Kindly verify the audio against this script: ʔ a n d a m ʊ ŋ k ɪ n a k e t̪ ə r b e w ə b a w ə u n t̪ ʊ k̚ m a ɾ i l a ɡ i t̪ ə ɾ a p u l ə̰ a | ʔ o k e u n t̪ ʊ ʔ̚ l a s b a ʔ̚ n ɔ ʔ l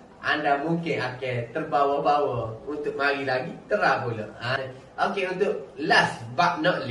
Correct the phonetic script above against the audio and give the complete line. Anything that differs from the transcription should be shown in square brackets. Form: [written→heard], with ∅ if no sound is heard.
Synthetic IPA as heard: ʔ a n d a m [ʊ→u] ŋ k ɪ n a k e t̪ ə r b [e→a] w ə b a w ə u n t̪ ʊ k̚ m a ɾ i l a ɡ i t̪ ə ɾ a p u l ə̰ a | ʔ o k e u n t̪ ʊ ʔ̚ l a s b a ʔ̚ n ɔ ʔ l